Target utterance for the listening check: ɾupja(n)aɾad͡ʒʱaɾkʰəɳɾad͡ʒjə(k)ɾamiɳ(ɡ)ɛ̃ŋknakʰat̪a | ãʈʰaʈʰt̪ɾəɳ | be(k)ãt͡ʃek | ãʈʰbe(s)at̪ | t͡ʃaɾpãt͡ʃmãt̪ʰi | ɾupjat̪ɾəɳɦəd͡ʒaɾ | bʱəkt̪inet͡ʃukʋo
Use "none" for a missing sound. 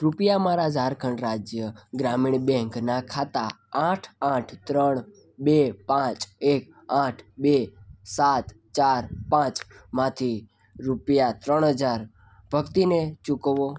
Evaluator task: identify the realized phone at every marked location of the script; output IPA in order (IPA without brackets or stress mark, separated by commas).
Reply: m, ɡ, b, p, s